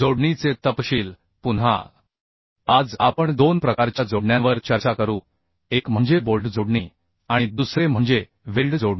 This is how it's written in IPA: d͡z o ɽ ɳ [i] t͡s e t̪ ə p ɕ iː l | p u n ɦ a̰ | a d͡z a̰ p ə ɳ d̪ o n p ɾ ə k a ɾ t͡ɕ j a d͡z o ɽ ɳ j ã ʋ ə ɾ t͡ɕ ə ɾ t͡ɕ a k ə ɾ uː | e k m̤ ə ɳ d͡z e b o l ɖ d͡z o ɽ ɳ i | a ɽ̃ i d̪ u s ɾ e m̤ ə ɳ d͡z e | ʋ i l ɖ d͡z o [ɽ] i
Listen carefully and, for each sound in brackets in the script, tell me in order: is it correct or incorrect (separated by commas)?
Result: correct, correct